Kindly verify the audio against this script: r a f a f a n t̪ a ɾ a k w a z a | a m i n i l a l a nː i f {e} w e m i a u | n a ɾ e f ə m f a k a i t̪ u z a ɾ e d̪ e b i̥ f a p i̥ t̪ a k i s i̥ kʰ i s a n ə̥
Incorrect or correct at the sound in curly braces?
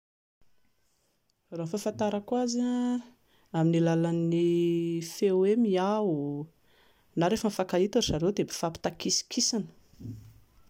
correct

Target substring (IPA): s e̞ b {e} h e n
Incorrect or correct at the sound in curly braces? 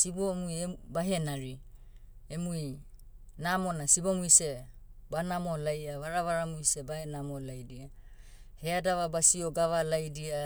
incorrect: a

